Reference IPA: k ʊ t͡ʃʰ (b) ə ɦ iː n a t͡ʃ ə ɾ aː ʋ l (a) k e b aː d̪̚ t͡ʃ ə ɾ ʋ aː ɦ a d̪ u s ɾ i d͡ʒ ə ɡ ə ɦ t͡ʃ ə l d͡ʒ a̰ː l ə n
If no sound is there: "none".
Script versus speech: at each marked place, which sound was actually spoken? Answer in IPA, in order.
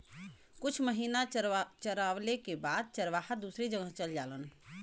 m, e

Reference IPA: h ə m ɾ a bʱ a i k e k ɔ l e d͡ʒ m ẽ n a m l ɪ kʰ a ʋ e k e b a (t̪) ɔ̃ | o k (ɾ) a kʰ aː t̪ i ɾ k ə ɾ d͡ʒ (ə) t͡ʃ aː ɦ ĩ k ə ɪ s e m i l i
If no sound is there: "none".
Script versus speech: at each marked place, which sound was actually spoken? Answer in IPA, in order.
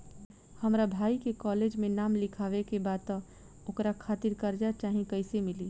t̪, ɾ, a

